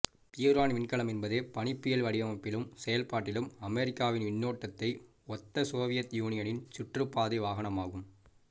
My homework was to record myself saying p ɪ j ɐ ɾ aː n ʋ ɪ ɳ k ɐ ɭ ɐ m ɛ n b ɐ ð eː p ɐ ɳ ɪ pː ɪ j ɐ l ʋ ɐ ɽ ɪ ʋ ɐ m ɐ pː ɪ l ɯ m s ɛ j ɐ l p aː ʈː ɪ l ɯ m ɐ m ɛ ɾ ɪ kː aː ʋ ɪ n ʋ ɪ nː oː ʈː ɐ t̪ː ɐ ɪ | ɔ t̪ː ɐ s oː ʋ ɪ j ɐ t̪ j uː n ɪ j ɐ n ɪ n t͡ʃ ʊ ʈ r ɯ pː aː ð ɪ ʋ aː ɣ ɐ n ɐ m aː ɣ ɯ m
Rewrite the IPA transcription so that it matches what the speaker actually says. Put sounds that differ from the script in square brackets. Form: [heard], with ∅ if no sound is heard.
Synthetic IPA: p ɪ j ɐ ɾ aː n ʋ ɪ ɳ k ɐ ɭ ɐ m ɛ n b ɐ ð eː p ɐ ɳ ɪ pː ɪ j ɐ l ʋ ɐ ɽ ɪ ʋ ɐ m ɐ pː ɪ l ɯ m s ɛ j ɐ l p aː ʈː ɪ l ɯ m ɐ m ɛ ɾ ɪ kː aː ʋ ɪ n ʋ ɪ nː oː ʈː ɐ t̪ː ɐ ɪ | ɔ t̪ː ɐ s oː ʋ ɪ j ɐ t̪ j uː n ɪ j ɐ n ɪ n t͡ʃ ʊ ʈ r ɯ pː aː ð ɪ ʋ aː ɣ ɐ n ɐ m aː ɣ ɯ m